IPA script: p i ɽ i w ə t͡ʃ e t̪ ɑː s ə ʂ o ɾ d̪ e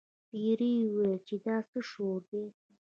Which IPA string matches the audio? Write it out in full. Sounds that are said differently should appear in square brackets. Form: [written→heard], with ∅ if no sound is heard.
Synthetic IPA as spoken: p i [ɽ→ɾ] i w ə t͡ʃ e [t̪→d̪] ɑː s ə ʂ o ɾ d̪ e